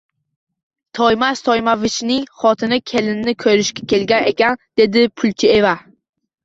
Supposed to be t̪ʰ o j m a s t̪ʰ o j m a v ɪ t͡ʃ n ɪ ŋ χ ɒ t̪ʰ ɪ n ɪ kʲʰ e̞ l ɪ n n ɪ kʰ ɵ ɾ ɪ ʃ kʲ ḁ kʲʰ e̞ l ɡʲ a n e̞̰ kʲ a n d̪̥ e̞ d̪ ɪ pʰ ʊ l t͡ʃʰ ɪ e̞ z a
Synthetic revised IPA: t̪ʰ ɒ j m a s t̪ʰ ɒ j m a v ɪ t͡ʃ n ɪ ŋ χ ɒ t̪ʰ ɪ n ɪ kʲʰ e̞ l ɪ n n ɪ kʰ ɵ ɾ ɪ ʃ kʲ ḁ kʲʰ e̞ l ɡʲ a n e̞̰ kʲ a n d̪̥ e̞ d̪ ɪ pʰ ʊ l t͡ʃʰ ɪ e̞ v a